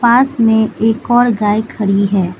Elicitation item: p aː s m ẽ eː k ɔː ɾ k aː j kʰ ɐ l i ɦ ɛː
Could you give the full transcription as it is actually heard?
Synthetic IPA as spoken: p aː s m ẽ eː k ɔː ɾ ɡ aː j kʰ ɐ ɾ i ɦ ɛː